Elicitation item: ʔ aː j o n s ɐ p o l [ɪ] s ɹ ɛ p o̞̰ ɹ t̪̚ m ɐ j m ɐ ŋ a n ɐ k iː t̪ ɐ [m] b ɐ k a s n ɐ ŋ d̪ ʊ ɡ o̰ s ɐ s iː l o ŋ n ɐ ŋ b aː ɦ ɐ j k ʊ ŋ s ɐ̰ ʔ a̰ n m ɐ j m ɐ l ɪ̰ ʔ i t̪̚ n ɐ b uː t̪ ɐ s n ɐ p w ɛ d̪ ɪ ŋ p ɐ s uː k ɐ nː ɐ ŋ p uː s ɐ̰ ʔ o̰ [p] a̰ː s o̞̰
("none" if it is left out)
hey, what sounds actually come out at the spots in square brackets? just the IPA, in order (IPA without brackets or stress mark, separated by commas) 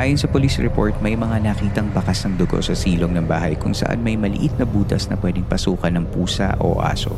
i, ŋ, ʔ